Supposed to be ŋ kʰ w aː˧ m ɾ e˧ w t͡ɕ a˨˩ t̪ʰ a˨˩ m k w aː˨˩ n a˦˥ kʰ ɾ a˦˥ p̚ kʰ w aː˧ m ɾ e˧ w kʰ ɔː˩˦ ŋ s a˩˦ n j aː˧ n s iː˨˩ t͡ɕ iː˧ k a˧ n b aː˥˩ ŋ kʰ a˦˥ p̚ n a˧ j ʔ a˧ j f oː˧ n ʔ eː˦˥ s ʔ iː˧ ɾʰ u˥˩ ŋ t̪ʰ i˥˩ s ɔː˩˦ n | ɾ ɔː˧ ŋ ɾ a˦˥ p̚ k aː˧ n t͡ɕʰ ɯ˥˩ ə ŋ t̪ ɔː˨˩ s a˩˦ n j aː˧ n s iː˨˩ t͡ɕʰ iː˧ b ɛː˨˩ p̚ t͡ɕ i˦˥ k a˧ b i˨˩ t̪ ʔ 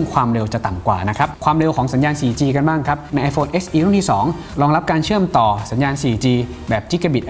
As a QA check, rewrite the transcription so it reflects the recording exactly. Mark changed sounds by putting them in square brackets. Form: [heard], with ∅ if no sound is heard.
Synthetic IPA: ŋ kʰ w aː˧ m ɾ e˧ w t͡ɕ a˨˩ [t̪] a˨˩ m k w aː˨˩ n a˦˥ kʰ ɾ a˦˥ p̚ kʰ w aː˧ m ɾ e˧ w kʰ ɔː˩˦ ŋ s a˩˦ n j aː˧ n s iː˨˩ t͡ɕ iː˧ k a˧ n b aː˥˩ ŋ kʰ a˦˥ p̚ n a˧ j ʔ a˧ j f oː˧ n ʔ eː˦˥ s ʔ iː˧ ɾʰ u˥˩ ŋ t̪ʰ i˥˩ s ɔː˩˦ [ŋ] | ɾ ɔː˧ ŋ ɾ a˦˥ p̚ k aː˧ n t͡ɕʰ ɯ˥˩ ə [m] t̪ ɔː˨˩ s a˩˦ n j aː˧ n s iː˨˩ [t͡ɕ] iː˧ b ɛː˨˩ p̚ t͡ɕ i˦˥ k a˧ b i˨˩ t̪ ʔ